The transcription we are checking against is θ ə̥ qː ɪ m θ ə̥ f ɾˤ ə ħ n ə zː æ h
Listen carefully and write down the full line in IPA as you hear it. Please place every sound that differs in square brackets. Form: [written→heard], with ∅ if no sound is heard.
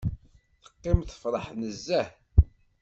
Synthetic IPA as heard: θ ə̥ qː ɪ m θ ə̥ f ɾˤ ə ħ n ə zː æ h